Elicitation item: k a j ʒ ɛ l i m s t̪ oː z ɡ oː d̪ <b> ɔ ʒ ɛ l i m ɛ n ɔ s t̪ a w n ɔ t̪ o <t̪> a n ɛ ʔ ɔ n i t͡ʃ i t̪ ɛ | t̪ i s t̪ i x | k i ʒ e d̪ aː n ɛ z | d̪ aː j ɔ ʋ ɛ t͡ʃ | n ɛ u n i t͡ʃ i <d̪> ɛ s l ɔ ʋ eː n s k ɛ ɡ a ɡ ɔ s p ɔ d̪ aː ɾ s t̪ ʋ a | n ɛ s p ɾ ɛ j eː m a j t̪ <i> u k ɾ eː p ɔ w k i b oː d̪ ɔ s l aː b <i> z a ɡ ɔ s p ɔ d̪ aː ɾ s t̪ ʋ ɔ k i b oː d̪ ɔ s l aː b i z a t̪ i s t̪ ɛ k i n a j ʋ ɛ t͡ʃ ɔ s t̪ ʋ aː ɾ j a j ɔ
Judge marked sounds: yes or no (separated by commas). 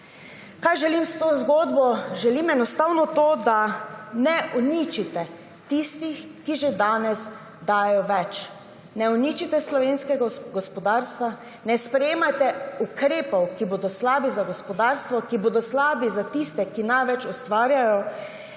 yes, no, no, no, yes